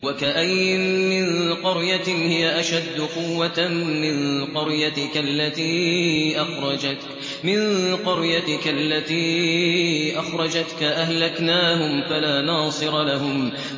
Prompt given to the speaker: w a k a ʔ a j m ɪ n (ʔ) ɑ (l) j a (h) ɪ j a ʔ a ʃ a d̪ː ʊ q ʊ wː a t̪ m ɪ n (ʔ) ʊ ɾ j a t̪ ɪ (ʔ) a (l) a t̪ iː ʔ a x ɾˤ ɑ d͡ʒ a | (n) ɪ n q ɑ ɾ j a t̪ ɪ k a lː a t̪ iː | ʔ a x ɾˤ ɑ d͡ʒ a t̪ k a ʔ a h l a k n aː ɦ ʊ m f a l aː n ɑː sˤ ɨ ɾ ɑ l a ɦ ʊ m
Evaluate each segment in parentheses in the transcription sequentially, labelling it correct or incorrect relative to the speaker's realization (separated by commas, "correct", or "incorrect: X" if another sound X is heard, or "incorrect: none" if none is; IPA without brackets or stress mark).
incorrect: q, incorrect: ɾ, correct, incorrect: q, incorrect: k, incorrect: lː, incorrect: m